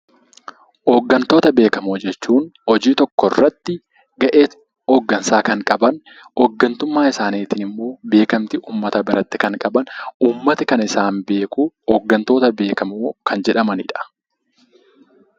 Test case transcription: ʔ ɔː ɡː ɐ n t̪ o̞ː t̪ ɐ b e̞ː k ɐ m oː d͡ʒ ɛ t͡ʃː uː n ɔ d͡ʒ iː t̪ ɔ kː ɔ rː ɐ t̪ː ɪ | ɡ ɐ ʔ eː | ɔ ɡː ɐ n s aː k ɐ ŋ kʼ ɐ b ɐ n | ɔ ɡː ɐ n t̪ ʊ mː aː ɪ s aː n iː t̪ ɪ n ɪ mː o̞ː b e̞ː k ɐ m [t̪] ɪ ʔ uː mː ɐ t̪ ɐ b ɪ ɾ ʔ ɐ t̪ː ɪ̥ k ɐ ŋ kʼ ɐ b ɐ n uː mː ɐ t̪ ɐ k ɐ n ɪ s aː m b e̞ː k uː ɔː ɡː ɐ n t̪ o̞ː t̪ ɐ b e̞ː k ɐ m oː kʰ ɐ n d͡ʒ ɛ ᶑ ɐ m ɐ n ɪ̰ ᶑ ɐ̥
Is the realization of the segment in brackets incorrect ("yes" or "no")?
no